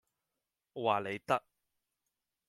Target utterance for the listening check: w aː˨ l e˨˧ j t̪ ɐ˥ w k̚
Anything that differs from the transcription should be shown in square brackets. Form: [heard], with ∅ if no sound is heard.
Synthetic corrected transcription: w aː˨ l e˨˧ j t̪ ɐ˥ [∅] k̚